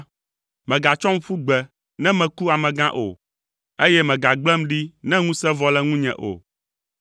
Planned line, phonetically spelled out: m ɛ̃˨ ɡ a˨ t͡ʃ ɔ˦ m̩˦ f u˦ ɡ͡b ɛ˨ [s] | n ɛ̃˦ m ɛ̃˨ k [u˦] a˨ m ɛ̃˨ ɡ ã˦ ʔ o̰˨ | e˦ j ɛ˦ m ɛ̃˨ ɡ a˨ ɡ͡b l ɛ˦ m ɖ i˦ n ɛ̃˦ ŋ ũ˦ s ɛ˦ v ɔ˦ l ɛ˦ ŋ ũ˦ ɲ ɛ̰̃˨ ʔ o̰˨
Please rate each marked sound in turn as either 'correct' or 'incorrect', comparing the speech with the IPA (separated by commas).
incorrect, correct